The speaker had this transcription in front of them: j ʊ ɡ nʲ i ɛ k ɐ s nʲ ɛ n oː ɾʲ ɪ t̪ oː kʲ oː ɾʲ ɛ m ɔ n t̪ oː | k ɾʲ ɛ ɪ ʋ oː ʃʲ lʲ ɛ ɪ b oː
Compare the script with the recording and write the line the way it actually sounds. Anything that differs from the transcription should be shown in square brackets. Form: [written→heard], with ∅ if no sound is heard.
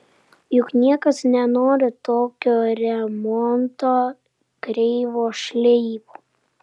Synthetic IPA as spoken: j ʊ [ɡ→k] nʲ i ɛ k ɐ s nʲ ɛ n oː ɾʲ ɪ t̪ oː kʲ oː ɾʲ ɛ m ɔ n t̪ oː | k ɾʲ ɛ ɪ ʋ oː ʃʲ lʲ ɛ ɪ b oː